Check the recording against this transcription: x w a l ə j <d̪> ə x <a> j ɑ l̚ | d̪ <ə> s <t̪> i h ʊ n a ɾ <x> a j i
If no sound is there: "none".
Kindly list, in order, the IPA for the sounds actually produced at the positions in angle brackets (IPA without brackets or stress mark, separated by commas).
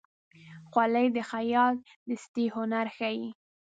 d̪, a, ə, t̪, x